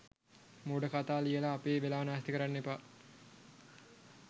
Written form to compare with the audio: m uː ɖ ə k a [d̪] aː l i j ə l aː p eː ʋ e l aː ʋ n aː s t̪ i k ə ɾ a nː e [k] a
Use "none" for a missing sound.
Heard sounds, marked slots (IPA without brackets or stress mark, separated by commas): t̪, p